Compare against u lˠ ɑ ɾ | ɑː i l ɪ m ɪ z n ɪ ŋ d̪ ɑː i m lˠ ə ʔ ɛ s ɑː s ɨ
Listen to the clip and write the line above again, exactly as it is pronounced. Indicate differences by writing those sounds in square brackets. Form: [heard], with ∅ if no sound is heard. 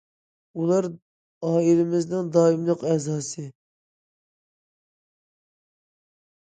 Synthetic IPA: u lˠ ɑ ɾ | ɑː i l ɪ m ɪ z n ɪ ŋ d̪ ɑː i m lˠ ə [q] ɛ [z] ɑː s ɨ